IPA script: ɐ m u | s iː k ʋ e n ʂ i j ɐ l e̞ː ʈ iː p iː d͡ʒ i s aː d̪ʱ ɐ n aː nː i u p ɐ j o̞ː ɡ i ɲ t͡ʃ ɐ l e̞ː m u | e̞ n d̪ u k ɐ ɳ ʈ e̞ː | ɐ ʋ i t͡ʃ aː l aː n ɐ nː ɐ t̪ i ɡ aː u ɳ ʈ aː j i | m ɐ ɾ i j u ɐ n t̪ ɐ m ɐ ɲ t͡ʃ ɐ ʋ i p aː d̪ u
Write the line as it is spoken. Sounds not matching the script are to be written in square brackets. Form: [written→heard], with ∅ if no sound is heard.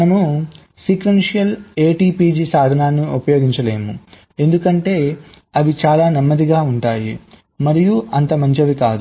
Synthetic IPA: ɐ m u | s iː k ʋ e n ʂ i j ɐ l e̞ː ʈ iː p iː d͡ʒ i s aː d̪ʱ ɐ n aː nː i u p ɐ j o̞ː ɡ i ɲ t͡ʃ ɐ l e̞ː m u | e̞ n d̪ u k ɐ ɳ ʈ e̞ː | ɐ ʋ i t͡ʃ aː l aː n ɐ [nː→mː] ɐ [t̪→d̪] i ɡ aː u ɳ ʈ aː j i | m ɐ ɾ i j u ɐ n t̪ ɐ m ɐ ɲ t͡ʃ ɐ ʋ i [p→k] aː d̪ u